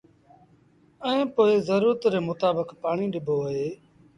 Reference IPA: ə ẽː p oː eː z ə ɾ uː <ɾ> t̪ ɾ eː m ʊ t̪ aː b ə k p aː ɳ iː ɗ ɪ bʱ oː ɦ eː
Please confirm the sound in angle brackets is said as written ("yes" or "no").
yes